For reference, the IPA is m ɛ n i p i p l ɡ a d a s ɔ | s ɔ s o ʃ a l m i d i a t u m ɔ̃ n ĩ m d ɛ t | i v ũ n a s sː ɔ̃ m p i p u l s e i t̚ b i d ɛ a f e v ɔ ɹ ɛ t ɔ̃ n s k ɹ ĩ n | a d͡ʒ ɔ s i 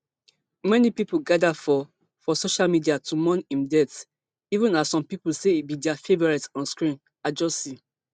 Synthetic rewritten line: m ɛ n i p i p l ɡ a d a f ɔ | f ɔ s o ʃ a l m i d i a t u m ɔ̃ n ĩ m d ɛ t | i v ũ n a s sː ɔ̃ m p i p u l s e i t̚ b i d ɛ a f e v ɔ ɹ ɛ t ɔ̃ n s k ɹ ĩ n | a d͡ʒ ɔ s i